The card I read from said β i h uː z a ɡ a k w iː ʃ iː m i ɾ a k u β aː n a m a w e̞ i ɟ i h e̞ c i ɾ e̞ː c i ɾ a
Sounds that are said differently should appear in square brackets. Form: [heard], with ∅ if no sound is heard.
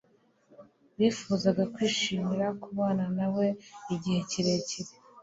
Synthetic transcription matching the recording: β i [f] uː z a ɡ a k w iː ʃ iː m i ɾ a k u β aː n a [n] a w e̞ i ɟ i h e̞ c i ɾ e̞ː c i ɾ [e]